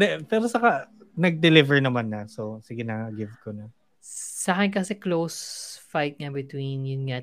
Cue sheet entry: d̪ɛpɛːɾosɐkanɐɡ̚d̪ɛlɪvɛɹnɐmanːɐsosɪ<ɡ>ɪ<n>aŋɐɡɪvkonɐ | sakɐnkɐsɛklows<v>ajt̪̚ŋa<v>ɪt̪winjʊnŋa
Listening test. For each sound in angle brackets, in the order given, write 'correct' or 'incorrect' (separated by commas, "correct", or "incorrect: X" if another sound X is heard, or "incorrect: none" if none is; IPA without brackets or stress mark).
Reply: correct, correct, incorrect: f, incorrect: b